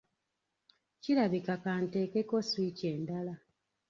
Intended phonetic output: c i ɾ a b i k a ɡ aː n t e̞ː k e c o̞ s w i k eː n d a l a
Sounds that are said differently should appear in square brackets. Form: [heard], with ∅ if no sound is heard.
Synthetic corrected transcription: c i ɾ a [β] i k a [k] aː n t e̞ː k e [k] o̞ s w i [c] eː n d a l a